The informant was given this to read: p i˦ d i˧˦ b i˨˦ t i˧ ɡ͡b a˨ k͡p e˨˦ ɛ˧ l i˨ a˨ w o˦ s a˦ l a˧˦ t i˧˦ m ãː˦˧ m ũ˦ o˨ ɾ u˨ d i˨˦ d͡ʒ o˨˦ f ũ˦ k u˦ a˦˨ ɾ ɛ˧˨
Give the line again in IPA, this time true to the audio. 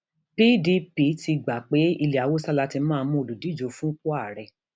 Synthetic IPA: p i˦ d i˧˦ p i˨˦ t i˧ ɡ͡b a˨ k͡p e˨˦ i˧ l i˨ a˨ w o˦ s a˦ l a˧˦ t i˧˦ m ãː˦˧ m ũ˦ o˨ l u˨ d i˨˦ d͡ʒ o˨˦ f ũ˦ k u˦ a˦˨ ɾ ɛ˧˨